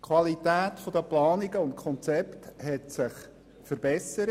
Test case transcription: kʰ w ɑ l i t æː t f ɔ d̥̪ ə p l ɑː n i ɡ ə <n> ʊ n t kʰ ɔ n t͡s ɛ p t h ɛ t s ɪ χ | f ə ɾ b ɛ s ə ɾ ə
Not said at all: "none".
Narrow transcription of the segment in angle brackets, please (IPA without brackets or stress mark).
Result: none